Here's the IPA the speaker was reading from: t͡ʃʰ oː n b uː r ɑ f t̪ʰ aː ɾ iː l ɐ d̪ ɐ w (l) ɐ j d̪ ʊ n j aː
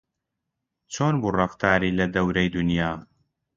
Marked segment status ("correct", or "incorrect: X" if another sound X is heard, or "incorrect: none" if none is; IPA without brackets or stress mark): incorrect: ɾ